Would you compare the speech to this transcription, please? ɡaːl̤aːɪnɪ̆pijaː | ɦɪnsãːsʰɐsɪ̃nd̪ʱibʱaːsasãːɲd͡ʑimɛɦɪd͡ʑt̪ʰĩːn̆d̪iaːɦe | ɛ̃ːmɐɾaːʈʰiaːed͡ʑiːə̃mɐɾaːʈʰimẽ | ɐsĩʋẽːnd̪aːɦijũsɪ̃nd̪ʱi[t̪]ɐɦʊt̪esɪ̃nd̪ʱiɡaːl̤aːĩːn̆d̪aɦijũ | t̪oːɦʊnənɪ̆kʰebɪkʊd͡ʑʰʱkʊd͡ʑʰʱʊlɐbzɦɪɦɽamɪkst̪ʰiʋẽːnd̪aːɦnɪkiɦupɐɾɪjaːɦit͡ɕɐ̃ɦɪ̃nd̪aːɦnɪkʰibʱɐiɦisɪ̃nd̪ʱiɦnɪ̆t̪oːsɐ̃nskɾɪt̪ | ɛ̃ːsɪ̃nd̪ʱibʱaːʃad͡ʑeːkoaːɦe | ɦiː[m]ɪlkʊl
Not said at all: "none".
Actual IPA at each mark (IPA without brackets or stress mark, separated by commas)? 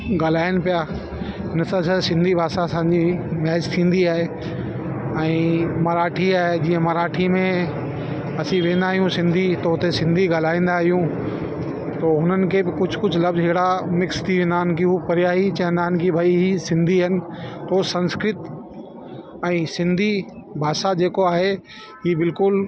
t̪, b